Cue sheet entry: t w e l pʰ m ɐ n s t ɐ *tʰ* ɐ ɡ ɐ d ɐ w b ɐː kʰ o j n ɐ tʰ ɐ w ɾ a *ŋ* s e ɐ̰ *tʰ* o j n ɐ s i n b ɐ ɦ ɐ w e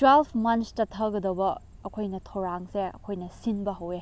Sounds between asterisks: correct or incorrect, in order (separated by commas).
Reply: correct, correct, incorrect